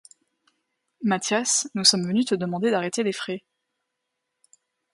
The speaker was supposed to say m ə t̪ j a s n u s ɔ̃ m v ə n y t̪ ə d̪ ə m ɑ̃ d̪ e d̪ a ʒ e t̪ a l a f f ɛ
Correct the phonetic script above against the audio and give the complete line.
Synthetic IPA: m a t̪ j a s n u s ɔ m v ə n y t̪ ə d̪ ə m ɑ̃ d̪ e d̪ a ʁ e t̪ e l e f χ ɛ